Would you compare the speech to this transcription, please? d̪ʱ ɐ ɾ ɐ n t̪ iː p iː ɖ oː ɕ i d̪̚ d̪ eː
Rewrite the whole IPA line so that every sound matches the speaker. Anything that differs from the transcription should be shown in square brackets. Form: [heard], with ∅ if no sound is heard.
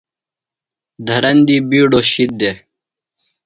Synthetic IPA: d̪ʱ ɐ ɾ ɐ n [d̪] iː [b] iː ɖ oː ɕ i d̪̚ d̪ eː